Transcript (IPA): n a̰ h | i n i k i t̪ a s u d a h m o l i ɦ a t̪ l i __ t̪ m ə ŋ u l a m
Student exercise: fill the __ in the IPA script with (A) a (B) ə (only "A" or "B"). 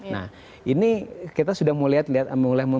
A